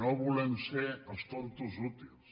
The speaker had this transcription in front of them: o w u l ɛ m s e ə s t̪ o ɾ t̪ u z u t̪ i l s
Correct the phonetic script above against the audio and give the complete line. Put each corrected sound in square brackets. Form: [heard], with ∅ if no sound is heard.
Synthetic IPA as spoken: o [β] u l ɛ m s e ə s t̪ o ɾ t̪ u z u t̪ i l s